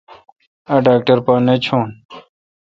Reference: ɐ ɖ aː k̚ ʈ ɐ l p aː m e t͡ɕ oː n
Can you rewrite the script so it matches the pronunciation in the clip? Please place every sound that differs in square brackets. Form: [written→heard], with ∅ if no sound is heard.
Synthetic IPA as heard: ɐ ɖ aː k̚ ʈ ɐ [l→ɾ] p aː [m→n] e [t͡ɕ→t͡ɕʰ] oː n